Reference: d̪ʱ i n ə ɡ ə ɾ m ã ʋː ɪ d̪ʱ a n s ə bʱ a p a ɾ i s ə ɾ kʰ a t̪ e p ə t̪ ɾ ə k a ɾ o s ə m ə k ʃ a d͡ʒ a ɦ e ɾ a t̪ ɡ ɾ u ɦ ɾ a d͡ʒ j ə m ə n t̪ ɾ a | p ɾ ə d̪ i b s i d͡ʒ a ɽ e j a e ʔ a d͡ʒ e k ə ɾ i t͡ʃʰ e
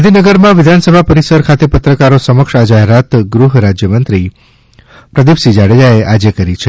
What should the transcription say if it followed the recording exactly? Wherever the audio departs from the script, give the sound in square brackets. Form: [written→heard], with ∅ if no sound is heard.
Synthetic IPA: d̪ʱ i n ə ɡ ə ɾ m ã [ʋː→ʋ] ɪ d̪ʱ a n s ə bʱ a p [a→ə] ɾ i s ə ɾ kʰ a t̪ e p ə t̪ ɾ ə k a ɾ o s ə m ə k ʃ a d͡ʒ a ɦ e ɾ a t̪ ɡ ɾ u ɦ ɾ a d͡ʒ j ə m ə n t̪ ɾ [a→i] | p ɾ ə d̪ i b s i d͡ʒ a ɽ e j a e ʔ a d͡ʒ e k ə ɾ i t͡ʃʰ e

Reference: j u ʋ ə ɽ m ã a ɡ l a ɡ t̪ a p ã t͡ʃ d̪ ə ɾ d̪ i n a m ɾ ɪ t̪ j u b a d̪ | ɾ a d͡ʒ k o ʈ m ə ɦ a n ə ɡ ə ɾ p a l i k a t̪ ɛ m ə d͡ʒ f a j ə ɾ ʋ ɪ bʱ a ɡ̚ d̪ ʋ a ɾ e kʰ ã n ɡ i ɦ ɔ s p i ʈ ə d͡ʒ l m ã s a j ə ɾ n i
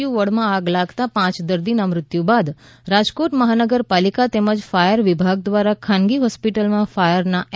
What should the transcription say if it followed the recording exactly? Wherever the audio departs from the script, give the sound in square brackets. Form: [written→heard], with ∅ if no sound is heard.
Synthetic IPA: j u ʋ ə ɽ m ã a ɡ l a ɡ t̪ a p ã t͡ʃ d̪ ə ɾ d̪ i n a m ɾ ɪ t̪ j u b a d̪ | ɾ a d͡ʒ k o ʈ m ə ɦ a n ə ɡ ə ɾ p a l i k a t̪ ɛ m ə d͡ʒ f a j ə ɾ ʋ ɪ bʱ a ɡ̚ d̪ ʋ a ɾ [e→a] kʰ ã n ɡ i ɦ ɔ s p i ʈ ə [d͡ʒ→∅] l m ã [s→f] a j ə ɾ n [i→a]

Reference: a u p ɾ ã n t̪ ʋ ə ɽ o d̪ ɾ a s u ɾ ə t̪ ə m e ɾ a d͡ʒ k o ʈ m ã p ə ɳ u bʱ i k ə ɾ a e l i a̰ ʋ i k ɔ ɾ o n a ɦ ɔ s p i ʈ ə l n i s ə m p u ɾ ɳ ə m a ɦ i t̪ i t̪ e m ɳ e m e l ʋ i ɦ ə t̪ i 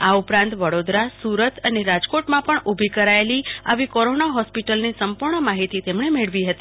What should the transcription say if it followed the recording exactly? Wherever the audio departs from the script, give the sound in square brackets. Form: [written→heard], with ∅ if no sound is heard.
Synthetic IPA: a u p ɾ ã n t̪ ʋ ə ɽ o d̪ ɾ a s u ɾ ə t̪ ə [m→n] e ɾ a d͡ʒ k o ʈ m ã p ə ɳ u bʱ i k ə ɾ a e l i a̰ ʋ i k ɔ ɾ o n a ɦ ɔ s p i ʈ ə l n i s ə m p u ɾ ɳ ə m a ɦ i t̪ i t̪ e m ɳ e m e [l→ɭ] ʋ i ɦ ə t̪ i

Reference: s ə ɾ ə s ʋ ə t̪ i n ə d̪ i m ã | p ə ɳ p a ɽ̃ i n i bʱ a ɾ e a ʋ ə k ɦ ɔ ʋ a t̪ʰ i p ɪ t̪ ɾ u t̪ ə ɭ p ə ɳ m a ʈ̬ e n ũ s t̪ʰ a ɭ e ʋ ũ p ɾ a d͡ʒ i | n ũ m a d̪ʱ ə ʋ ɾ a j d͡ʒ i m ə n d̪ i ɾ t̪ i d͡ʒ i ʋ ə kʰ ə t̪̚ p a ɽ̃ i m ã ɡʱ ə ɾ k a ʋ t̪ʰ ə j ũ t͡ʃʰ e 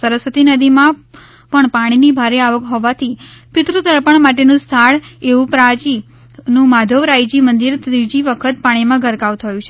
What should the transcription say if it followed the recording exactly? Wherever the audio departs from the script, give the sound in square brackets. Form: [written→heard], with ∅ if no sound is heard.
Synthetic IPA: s ə ɾ ə s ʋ ə t̪ i n ə d̪ i m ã | p ə ɳ p a ɽ̃ i n i bʱ a ɾ e a ʋ ə k ɦ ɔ ʋ a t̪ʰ i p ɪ t̪ ɾ u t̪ ə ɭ p ə ɳ m a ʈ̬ e n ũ s t̪ʰ a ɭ e ʋ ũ p ɾ a d͡ʒ i | n ũ m a d̪ʱ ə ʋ ɾ a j d͡ʒ i m ə n d̪ i ɾ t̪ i d͡ʒ i ʋ ə kʰ ə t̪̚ p a ɽ̃ i m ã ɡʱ ə ɾ k a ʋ t̪ʰ ə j ũ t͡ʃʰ e

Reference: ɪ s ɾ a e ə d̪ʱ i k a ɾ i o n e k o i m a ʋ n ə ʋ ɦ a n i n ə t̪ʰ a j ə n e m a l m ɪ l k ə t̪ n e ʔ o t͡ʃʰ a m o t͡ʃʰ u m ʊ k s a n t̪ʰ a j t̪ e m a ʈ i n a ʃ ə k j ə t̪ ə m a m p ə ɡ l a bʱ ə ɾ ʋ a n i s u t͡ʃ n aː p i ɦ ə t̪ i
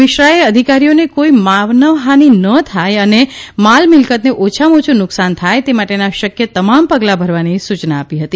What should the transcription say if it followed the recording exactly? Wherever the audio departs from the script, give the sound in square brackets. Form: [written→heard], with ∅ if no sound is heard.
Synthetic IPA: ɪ [s→ʃ] ɾ a e ə d̪ʱ i k a ɾ i o n e k o i m a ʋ n ə ʋ ɦ a n i n ə t̪ʰ a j ə n e m a l m ɪ l k ə t̪ n e ʔ o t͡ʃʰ a m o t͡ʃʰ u [m→n] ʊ k s a n t̪ʰ a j t̪ e m a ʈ [i→e] n a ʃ ə k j ə t̪ ə m a m p ə ɡ l a bʱ ə ɾ ʋ a n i s u t͡ʃ n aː p i ɦ ə t̪ i

